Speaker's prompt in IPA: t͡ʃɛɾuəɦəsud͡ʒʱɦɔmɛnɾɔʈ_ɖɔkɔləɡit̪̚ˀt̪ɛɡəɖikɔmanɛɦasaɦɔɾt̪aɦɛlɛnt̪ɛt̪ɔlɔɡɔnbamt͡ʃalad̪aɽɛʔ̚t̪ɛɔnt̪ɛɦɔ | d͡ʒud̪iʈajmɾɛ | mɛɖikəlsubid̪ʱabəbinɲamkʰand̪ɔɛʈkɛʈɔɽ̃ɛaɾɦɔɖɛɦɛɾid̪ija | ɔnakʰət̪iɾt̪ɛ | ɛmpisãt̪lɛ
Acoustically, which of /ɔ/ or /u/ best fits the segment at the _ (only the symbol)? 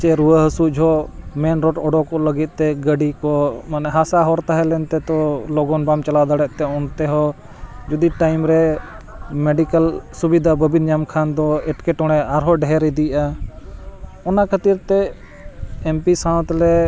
ɔ